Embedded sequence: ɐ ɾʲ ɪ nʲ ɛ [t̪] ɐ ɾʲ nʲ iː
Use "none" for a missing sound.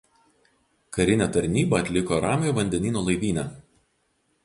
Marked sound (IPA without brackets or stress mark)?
t̪